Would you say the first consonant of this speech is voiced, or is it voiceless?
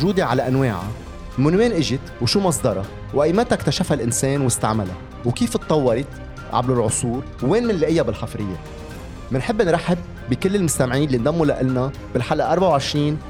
voiced